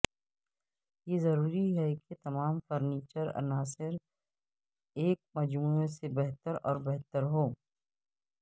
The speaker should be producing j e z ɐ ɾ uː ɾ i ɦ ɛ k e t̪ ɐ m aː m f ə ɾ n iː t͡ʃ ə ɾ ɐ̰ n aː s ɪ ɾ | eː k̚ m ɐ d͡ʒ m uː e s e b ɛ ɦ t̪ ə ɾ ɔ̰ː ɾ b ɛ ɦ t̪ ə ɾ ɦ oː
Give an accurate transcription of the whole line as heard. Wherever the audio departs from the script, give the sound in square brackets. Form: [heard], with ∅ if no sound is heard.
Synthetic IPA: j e z ɐ ɾ uː ɾ i ɦ ɛ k e t̪ ɐ m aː m f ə ɾ n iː t͡ʃ ə ɾ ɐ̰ n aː s ɪ ɾ | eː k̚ m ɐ d͡ʒ m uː e s e b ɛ ɦ t̪ ə ɾ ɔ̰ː ɾ b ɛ ɦ t̪ ə ɾ ɦ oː

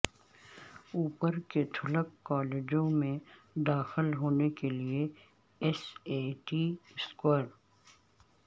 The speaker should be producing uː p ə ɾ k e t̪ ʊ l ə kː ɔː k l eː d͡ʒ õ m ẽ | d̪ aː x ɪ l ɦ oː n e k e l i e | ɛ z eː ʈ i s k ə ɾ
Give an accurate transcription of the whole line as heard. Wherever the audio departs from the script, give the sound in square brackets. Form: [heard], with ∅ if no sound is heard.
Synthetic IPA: uː p ə ɾ k e [t̪ʰ] ʊ l ə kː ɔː [∅] l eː d͡ʒ õ m ẽ | d̪ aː x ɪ l ɦ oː n e k e l i e | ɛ [s] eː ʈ i s k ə ɾ

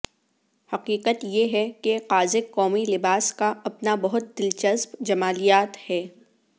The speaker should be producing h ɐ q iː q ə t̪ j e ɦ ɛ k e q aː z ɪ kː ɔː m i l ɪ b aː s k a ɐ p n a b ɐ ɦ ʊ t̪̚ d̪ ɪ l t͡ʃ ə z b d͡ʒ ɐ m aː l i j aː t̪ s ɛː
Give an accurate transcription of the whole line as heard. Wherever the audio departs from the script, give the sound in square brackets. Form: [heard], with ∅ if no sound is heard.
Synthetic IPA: h ɐ q iː q ə t̪ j e ɦ ɛ k e q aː z ɪ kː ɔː m i l ɪ b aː s k a ɐ p n a b ɐ ɦ ʊ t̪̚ d̪ ɪ l t͡ʃ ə z b d͡ʒ ɐ m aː l i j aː t̪ [h] ɛː

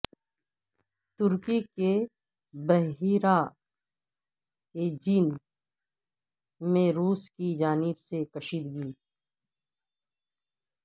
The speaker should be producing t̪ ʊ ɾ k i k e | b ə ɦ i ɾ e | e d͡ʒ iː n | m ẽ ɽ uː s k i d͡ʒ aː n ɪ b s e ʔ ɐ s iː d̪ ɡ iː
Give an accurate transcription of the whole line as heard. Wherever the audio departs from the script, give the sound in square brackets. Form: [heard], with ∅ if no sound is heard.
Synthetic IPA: t̪ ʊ ɾ k i k e | b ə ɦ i ɾ [a] | e d͡ʒ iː n | m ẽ [ɾ] uː s k i d͡ʒ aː n ɪ b s e [k] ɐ [ʃ] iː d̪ ɡ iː

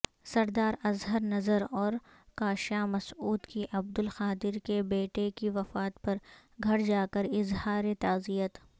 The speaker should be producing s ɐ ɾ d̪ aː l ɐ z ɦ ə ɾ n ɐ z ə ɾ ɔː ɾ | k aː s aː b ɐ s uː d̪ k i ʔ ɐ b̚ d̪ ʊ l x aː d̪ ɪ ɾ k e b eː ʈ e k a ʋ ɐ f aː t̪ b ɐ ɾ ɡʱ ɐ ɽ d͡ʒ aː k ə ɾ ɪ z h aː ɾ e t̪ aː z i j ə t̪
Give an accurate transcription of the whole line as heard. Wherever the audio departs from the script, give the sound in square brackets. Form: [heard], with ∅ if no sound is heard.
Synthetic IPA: s ɐ ɾ d̪ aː [ɾ] ɐ z ɦ ə ɾ n ɐ z ə ɾ ɔː ɾ | k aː [ʃ] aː [m] ɐ s uː d̪ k i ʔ ɐ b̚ d̪ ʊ l x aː d̪ ɪ ɾ k e b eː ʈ e k [i] ʋ ɐ f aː t̪ [p] ɐ ɾ ɡʱ ɐ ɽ d͡ʒ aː k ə ɾ ɪ z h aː ɾ e t̪ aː z i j ə t̪

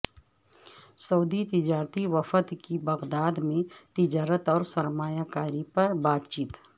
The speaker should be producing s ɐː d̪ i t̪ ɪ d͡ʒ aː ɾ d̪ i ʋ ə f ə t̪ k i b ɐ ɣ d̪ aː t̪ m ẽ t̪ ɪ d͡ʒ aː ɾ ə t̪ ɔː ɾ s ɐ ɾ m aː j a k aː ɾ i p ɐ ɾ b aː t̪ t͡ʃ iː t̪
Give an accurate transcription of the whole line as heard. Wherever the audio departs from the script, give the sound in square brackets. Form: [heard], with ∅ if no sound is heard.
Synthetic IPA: s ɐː d̪ i t̪ ɪ d͡ʒ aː ɾ [t̪] i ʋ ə f ə t̪ k i b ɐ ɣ d̪ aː [d̪] m ẽ t̪ ɪ d͡ʒ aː ɾ ə t̪ ɔː ɾ s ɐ ɾ m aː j a k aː ɾ i p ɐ ɾ b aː t̪ t͡ʃ iː t̪

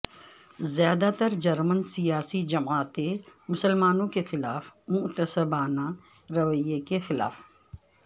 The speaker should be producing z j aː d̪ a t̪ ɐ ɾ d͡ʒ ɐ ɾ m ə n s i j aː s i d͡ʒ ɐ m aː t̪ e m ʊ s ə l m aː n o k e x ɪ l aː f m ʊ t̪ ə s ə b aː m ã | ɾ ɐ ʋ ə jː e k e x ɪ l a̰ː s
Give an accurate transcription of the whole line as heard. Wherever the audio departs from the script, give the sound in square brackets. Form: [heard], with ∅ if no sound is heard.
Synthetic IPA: z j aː d̪ a t̪ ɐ ɾ d͡ʒ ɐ ɾ m ə n s i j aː s i d͡ʒ ɐ m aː t̪ e m ʊ s ə l m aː n [õ] k e x ɪ l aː f m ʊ t̪ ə s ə b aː [n] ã | ɾ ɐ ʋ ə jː e k e x ɪ l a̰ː [f]

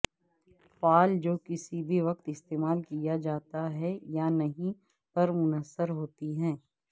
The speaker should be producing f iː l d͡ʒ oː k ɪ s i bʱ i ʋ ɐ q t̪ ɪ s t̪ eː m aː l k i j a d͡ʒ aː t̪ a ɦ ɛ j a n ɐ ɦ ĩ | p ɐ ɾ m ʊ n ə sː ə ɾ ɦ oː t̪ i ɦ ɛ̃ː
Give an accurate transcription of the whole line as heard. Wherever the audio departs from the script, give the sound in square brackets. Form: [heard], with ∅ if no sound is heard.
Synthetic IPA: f [aː] l d͡ʒ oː k ɪ s i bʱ i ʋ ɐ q t̪ ɪ s t̪ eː m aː l k i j a d͡ʒ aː t̪ a ɦ ɛ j a n ɐ ɦ ĩ | p ɐ ɾ m ʊ n ə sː ə ɾ ɦ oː t̪ i ɦ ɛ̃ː

